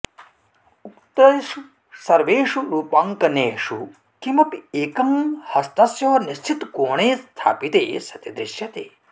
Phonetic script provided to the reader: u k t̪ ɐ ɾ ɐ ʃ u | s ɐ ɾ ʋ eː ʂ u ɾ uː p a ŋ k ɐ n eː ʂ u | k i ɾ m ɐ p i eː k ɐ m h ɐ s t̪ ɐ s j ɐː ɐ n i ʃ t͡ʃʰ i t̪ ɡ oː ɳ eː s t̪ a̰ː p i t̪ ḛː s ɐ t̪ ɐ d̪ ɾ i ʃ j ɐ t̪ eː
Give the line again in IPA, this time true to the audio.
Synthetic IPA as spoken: u k t̪ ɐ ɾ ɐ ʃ u | s ɐ ɾ ʋ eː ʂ u ɾ uː p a ŋ k ɐ n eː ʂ u | k i m ɐ p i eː k ɐ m h ɐ s t̪ ɐ s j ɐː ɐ n i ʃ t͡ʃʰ i t̪ k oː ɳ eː s t̪ʰ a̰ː p i t̪ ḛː s ɐ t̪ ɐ d̪ ɾ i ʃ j ɐ t̪ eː